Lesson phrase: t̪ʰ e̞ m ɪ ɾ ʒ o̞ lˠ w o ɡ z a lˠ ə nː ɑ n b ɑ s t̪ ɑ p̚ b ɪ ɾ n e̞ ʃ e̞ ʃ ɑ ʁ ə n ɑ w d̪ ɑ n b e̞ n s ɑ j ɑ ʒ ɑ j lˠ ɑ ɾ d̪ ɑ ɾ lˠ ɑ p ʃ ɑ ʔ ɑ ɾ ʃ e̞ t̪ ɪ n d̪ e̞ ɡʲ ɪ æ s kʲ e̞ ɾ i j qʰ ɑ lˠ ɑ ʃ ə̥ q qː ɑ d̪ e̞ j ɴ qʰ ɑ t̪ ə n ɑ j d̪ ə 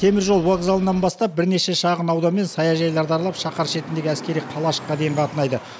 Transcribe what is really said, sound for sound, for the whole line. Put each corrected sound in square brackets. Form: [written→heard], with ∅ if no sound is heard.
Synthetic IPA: t̪ʰ e̞ m ɪ ɾ ʒ o̞ lˠ w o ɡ z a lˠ ə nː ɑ n b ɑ s t̪ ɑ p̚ b ɪ ɾ n e̞ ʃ e̞ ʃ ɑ ʁ ə n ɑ w d̪ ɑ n [b→m] e̞ n s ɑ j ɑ ʒ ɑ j lˠ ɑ ɾ d̪ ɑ ɾ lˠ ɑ p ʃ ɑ [ʔ→q] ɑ ɾ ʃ e̞ t̪ ɪ n d̪ e̞ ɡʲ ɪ æ s kʲ e̞ ɾ i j qʰ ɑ lˠ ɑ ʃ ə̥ q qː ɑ d̪ e̞ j ɴ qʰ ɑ t̪ ə n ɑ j d̪ ə